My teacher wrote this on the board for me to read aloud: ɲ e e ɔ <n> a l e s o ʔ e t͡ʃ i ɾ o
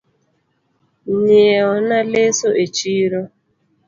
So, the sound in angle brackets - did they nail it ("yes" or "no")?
yes